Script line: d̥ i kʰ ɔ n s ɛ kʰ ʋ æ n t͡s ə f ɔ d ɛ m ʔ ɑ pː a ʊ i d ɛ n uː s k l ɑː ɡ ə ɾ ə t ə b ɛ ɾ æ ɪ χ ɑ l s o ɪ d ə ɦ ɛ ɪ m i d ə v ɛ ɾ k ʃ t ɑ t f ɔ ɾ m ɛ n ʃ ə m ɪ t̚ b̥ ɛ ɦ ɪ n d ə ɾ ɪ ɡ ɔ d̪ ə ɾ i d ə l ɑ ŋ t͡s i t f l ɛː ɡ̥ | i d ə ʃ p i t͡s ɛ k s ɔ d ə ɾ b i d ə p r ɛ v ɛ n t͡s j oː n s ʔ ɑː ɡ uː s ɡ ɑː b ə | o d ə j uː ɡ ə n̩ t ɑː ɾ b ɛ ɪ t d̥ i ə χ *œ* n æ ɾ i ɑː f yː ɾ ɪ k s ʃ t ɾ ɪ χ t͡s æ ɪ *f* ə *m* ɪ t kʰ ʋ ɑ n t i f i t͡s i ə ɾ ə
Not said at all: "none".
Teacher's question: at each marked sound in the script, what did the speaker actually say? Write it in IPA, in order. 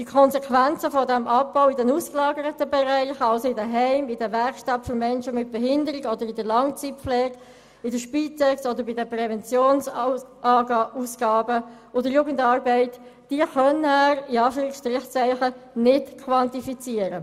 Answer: œ, χ, n

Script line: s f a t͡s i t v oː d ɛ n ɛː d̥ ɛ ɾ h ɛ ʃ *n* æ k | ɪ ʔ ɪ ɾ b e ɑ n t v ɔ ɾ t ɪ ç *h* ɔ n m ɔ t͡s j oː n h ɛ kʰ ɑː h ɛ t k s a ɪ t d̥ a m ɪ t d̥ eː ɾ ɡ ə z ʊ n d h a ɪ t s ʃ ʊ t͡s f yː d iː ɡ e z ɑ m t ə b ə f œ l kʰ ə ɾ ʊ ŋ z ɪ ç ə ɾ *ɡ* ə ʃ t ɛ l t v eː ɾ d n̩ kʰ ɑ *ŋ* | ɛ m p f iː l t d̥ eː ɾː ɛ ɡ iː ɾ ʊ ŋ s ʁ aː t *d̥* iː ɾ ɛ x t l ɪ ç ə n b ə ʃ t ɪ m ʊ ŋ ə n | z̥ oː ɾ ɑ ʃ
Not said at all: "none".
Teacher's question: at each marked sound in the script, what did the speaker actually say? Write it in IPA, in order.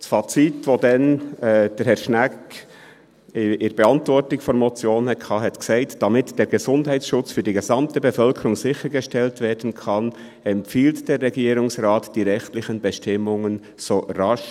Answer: n, f, ɡ, n, d̥

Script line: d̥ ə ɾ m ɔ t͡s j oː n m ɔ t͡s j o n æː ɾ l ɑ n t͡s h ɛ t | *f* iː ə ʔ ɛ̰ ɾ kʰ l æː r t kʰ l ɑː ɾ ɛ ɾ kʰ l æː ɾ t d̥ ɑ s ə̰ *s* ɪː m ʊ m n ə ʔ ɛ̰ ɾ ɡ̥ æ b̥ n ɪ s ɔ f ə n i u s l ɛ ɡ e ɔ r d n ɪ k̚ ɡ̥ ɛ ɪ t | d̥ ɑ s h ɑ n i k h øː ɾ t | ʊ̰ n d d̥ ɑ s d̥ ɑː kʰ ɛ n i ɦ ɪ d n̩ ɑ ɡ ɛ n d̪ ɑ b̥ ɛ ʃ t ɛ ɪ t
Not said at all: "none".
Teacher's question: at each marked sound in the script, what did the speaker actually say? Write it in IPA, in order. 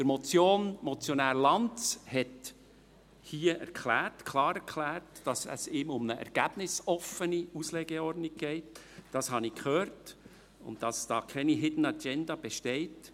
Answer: h, s

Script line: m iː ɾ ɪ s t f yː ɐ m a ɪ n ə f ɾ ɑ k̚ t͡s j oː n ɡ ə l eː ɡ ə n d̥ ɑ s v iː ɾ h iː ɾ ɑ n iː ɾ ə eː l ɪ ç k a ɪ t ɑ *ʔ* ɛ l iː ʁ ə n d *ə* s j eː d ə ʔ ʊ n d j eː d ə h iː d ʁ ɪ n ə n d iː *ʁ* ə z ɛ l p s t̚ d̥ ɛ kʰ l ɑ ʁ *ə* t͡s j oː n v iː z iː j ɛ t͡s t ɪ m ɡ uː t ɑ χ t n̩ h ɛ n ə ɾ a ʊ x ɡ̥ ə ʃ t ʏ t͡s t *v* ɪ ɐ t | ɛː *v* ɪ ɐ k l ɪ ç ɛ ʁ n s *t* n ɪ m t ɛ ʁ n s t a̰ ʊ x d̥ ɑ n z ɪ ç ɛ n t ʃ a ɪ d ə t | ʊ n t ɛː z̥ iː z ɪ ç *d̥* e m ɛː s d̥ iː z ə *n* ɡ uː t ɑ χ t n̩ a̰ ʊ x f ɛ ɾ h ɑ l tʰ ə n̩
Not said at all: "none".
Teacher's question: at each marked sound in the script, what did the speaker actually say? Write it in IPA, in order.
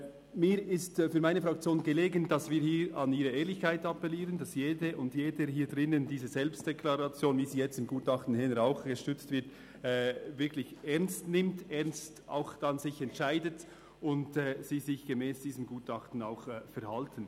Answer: p, ɑ, z, ɑ, v, v, t, ɡ̥, m

